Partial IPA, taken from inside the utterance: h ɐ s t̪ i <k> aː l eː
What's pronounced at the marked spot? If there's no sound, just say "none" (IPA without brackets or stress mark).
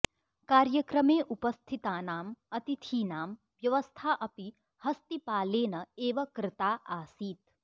p